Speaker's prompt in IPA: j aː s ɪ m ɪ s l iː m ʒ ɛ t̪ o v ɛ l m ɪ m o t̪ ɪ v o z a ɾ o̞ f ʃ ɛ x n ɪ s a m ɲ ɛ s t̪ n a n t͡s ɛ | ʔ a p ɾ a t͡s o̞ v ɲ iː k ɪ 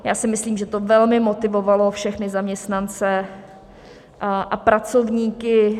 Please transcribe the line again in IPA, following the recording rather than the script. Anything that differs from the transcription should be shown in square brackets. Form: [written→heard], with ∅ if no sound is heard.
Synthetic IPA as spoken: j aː s ɪ m ɪ s l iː m ʒ ɛ t̪ o v ɛ l m ɪ m o t̪ ɪ v o [z→v] a [ɾ→l] o̞ f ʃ ɛ x n ɪ [s→z] a m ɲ ɛ s t̪ n a n t͡s ɛ | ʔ a p ɾ a t͡s o̞ v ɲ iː k ɪ